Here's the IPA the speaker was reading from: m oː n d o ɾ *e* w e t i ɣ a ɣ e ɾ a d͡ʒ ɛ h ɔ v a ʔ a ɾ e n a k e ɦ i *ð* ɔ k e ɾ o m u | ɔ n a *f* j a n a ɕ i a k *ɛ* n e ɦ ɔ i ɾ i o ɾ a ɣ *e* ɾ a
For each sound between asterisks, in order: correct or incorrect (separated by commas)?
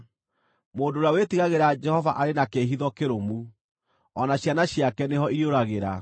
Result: incorrect, correct, incorrect, correct, correct